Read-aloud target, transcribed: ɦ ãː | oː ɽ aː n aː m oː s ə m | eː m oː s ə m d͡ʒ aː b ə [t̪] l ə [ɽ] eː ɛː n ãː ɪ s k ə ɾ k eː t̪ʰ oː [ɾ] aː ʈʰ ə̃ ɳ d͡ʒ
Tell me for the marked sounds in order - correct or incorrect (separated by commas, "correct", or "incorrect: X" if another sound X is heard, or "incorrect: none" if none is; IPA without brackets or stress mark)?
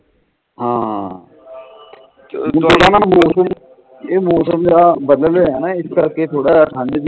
incorrect: d̪, incorrect: l, incorrect: ɽ